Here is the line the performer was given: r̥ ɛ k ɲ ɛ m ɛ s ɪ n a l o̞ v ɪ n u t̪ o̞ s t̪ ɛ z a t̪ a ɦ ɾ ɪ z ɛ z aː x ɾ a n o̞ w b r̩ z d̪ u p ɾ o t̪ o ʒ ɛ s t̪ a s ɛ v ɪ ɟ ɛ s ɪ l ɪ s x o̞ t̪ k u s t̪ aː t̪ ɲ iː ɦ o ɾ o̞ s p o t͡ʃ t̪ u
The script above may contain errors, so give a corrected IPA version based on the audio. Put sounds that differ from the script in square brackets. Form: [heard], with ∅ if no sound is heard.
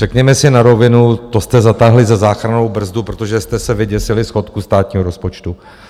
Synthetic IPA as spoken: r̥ ɛ k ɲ ɛ m ɛ s ɪ n a [ɾ] o̞ v ɪ n u t̪ o̞ s t̪ ɛ z a t̪ a ɦ [l] ɪ z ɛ z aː x ɾ a n o̞ w b r̩ z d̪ u p ɾ o t̪ o ʒ ɛ s t̪ [ɛ] s ɛ v ɪ ɟ ɛ s ɪ l ɪ s x o̞ t̪ k u s t̪ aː t̪ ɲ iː ɦ o ɾ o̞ s p o t͡ʃ t̪ u